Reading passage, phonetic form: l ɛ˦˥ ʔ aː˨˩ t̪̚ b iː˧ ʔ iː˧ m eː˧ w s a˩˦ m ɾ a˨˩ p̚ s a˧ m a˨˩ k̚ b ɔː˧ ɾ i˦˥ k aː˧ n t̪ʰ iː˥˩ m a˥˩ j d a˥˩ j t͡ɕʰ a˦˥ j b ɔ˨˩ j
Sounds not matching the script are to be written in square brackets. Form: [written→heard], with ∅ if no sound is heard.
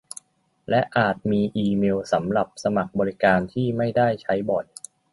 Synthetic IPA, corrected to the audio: l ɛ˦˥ ʔ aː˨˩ t̪̚ [b→m] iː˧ ʔ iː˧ m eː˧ w s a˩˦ m ɾ a˨˩ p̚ s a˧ m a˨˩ k̚ b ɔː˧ ɾ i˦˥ k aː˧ n t̪ʰ iː˥˩ m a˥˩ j d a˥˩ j t͡ɕʰ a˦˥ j b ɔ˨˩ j

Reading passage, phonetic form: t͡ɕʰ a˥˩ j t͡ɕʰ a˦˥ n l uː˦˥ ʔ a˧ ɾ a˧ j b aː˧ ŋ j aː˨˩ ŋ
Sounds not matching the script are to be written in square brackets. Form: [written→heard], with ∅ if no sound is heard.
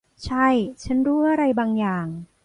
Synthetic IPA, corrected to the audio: t͡ɕʰ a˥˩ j t͡ɕʰ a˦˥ n [l→ɾ] uː˦˥ ʔ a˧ ɾ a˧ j b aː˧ ŋ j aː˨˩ ŋ

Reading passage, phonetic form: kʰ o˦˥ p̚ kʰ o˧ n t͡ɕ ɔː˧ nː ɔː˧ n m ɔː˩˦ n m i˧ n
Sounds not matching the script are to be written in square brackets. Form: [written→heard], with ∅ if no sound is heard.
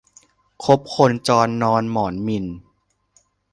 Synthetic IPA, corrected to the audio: kʰ o˦˥ p̚ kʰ o˧ n t͡ɕ ɔː˧ nː ɔː˧ n m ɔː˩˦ n m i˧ n

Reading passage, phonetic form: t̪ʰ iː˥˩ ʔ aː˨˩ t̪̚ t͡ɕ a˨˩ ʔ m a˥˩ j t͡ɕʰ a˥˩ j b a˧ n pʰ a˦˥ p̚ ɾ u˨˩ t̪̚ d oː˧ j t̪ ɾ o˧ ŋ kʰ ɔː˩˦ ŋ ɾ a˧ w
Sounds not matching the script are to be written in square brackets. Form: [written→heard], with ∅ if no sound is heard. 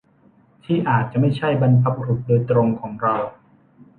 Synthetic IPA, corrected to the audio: t̪ʰ iː˥˩ ʔ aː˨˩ t̪̚ t͡ɕ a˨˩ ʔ m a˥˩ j t͡ɕʰ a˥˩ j b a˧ n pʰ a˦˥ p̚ ɾ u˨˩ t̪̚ d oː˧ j t̪ ɾ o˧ ŋ kʰ ɔː˩˦ ŋ ɾ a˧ w

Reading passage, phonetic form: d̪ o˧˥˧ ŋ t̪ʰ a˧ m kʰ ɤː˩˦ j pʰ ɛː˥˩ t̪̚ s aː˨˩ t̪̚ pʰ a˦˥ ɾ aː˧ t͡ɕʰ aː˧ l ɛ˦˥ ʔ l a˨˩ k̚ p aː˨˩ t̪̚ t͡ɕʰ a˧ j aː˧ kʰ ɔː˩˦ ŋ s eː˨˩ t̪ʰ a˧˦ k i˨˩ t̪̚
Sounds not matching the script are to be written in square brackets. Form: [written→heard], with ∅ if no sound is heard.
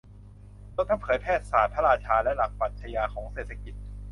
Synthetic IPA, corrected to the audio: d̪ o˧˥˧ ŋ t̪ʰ [a˧→a˥˩] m [kʰ→pʰ] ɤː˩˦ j pʰ ɛː˥˩ t̪̚ s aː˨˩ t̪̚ pʰ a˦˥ ɾ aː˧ t͡ɕʰ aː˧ l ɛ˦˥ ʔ l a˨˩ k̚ p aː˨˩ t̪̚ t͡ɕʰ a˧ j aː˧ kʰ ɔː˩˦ ŋ s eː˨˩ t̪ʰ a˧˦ k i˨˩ t̪̚

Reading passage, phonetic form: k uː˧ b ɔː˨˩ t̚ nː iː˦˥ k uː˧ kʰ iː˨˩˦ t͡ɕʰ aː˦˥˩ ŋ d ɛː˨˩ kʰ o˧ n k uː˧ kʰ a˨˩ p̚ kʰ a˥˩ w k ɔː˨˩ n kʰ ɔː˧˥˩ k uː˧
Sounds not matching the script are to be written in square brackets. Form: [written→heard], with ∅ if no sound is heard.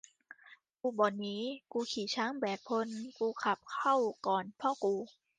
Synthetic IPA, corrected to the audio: k uː˧ b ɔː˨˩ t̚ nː iː˦˥ k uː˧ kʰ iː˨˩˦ t͡ɕʰ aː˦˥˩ ŋ [d→b] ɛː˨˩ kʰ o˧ n k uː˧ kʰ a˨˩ p̚ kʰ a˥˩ w k ɔː˨˩ n [kʰ→pʰ] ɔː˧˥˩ k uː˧

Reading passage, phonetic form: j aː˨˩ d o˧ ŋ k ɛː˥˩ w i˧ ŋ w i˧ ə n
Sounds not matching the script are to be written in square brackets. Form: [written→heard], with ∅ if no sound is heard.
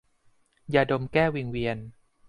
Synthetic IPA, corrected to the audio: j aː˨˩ d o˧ [ŋ→m] k ɛː˥˩ w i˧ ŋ w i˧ ə n

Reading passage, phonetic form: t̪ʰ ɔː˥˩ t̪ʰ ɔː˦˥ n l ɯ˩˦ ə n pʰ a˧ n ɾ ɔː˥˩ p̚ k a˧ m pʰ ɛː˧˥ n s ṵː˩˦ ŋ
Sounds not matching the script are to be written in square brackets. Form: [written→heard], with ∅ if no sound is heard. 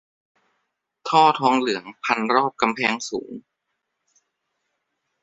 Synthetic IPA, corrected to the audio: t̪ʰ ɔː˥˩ t̪ʰ ɔː˦˥ [n→ŋ] l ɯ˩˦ ə [n→ŋ] pʰ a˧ n ɾ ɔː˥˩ p̚ k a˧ m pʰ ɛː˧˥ [n→ŋ] s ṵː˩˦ ŋ

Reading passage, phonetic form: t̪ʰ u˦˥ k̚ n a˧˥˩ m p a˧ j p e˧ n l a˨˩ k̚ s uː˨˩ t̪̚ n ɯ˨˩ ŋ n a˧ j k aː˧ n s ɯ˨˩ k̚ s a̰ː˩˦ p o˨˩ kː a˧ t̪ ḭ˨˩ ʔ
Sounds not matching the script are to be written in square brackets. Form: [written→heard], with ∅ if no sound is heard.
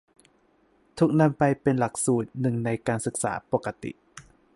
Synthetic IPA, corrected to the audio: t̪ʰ u˦˥ k̚ n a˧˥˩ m p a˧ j p e˧ n l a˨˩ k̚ s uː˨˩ t̪̚ n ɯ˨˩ ŋ n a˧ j k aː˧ n s ɯ˨˩ k̚ s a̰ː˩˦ p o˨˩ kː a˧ t̪ ḭ˨˩ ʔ

